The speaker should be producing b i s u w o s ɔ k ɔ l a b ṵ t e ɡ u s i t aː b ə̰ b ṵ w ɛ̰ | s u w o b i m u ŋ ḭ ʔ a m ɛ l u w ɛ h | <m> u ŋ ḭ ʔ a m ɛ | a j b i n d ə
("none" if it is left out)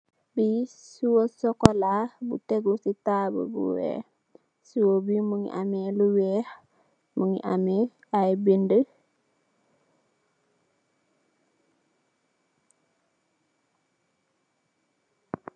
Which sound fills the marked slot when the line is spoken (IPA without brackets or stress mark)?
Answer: m